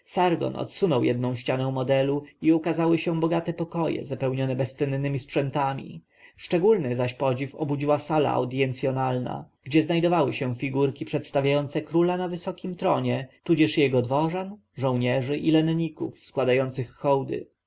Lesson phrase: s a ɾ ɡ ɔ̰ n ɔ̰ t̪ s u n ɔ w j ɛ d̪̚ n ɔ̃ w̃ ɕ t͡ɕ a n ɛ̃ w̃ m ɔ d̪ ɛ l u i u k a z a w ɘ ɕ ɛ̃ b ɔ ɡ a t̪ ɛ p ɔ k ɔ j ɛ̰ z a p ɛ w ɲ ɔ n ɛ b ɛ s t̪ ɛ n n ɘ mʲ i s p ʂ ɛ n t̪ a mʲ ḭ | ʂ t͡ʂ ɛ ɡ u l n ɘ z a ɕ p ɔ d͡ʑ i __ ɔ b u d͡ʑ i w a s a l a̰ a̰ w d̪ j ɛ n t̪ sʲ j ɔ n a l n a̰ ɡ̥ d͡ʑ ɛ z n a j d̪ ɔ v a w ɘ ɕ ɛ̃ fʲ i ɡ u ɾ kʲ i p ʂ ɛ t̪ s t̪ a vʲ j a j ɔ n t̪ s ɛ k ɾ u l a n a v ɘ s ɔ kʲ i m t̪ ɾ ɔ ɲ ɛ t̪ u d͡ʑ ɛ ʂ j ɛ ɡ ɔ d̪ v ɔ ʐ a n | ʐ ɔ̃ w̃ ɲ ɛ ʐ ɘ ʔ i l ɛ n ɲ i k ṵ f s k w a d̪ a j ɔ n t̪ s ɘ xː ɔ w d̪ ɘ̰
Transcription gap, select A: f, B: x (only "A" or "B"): A